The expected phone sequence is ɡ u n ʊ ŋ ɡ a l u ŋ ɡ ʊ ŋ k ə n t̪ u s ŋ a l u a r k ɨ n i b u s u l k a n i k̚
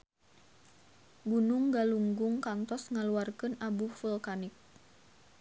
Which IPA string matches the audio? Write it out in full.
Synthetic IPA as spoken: ɡ u n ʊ ŋ ɡ a l u ŋ ɡ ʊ ŋ k a n t̪ ɔ s ŋ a l u a r k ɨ n a b u f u l k a n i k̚

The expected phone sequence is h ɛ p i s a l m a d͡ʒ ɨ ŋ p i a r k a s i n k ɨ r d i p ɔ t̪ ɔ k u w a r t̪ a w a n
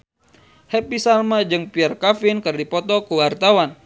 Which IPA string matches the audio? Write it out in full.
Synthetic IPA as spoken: h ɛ p i s a l m a d͡ʒ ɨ ŋ p i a r k a f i n k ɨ r d i p ɔ t̪ ɔ k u w a r t̪ a w a n

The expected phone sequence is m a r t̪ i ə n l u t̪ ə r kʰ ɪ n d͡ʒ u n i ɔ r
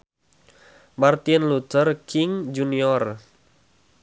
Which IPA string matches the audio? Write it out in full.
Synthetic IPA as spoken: m a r t̪ i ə n l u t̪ ə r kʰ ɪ ŋ d͡ʒ u n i ɔ r

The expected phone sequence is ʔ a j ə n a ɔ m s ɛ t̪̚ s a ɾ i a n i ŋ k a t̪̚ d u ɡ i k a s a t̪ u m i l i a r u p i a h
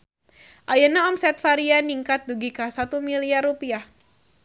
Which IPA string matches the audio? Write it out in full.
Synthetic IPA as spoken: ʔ a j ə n a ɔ m s ɛ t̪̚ f a ɾ i a n i ŋ k a t̪̚ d u ɡ i k a s a t̪ u m i l i a r u p i a h

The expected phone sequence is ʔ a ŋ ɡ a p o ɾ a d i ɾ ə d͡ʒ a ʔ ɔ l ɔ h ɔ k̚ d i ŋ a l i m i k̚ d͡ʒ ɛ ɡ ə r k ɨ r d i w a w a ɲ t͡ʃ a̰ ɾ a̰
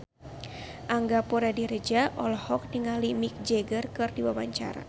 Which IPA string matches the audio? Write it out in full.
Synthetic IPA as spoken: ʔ a ŋ ɡ a p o ɾ a d i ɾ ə d͡ʒ a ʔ ɔ l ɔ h ɔ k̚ d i ŋ a l i m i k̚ d͡ʒ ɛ ɡ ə r k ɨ r d i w a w a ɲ t͡ʃ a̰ ɾ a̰

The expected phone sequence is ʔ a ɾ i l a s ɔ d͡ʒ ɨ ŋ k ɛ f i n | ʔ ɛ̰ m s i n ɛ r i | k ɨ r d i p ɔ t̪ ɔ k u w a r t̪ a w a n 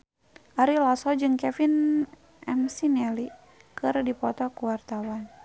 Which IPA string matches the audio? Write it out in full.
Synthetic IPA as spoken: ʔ a ɾ i l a s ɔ d͡ʒ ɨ ŋ k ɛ f i n | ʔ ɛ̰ m s i n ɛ l i | k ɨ r d i p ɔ t̪ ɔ k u w a r t̪ a w a n

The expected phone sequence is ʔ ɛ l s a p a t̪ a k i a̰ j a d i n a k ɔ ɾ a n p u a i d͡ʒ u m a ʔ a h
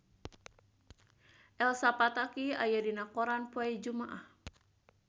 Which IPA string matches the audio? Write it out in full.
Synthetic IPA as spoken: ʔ ɛ l s a p a t̪ a k i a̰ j a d i n a k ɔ ɾ a n p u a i d͡ʒ u m a ʔ a h

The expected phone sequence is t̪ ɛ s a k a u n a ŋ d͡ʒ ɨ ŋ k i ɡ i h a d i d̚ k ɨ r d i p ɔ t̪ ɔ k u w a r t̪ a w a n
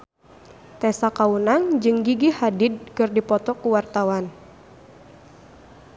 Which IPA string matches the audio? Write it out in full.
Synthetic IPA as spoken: t̪ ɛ s a k a u n a ŋ d͡ʒ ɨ ŋ ɡ i ɡ i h a d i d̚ k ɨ r d i p ɔ t̪ ɔ k u w a r t̪ a w a n

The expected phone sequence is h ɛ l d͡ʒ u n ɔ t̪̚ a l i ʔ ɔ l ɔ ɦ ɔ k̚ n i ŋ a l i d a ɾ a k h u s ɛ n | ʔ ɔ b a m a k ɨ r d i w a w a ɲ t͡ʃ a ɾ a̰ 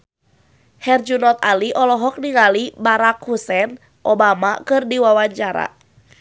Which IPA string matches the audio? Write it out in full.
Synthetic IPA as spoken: h ɛ r d͡ʒ u n ɔ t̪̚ a l i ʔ ɔ l ɔ ɦ ɔ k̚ n i ŋ a l i b a ɾ a k h u s ɛ n | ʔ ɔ b a m a k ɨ r d i w a w a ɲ t͡ʃ a ɾ a̰

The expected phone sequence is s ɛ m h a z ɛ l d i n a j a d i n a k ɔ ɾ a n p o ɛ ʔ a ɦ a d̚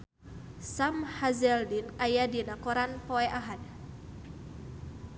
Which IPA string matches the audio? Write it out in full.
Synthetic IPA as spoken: s a m h a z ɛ l d i n a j a d i n a k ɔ ɾ a n p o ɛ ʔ a ɦ a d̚

